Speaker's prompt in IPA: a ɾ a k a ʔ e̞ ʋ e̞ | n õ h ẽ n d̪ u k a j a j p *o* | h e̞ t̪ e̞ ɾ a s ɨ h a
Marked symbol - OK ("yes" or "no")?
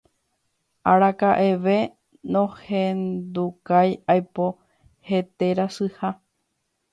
yes